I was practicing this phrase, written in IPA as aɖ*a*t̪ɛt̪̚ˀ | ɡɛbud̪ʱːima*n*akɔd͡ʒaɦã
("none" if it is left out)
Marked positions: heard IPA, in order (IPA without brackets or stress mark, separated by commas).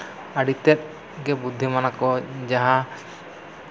i, n